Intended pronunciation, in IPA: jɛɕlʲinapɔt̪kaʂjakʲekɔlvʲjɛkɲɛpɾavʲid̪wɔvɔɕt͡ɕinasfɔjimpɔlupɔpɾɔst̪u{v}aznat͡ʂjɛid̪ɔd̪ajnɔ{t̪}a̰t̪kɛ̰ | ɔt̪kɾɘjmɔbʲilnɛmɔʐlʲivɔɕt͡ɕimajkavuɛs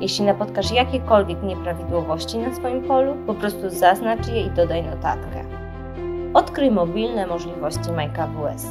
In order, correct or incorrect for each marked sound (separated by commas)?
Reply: incorrect, correct